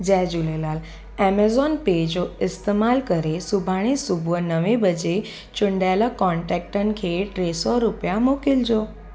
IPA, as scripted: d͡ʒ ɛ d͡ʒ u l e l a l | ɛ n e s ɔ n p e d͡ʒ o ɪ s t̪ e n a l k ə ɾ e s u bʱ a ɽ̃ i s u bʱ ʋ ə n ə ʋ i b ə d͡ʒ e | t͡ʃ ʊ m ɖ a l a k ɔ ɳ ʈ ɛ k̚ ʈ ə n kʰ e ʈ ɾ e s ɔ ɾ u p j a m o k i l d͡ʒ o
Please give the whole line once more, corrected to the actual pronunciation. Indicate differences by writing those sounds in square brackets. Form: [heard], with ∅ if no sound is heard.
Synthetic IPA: d͡ʒ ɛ d͡ʒ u l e l a l | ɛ [m] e [z] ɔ n p e d͡ʒ o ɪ s t̪ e [m] a l k ə ɾ e s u bʱ a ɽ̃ i s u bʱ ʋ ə n ə ʋ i b ə d͡ʒ e | t͡ʃ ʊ [ɳ] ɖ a l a k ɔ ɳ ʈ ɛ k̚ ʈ ə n kʰ e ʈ ɾ e s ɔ ɾ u p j a m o k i l d͡ʒ o